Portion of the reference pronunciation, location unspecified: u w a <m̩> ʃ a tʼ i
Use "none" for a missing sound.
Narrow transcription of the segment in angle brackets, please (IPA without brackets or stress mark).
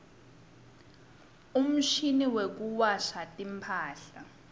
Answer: none